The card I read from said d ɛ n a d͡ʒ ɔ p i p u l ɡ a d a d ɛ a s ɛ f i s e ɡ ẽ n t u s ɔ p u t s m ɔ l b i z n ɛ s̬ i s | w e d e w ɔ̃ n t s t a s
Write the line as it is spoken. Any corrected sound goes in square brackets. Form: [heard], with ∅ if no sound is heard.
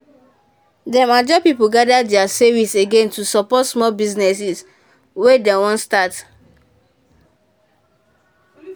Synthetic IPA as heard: d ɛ [m] a d͡ʒ ɔ p i p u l ɡ a d a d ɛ a s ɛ [v] i s e ɡ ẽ n t u s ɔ p [ɔ] t s m ɔ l b i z n ɛ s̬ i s | w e d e w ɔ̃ n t s t a [t]